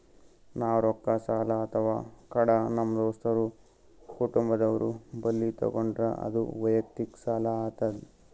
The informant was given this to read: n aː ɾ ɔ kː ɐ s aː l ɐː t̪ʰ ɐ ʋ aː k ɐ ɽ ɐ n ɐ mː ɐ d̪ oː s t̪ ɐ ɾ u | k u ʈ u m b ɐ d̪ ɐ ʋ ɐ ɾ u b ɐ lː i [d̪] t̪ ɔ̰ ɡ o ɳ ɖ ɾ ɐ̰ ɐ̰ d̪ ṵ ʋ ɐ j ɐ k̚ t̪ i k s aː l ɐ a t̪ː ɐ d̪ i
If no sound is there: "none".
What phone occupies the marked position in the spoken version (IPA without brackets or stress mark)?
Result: none